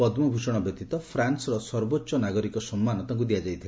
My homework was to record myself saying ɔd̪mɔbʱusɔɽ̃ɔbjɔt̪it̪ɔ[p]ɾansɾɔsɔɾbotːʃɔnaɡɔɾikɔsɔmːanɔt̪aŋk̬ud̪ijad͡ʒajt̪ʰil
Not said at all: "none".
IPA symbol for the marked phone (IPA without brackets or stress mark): pʰ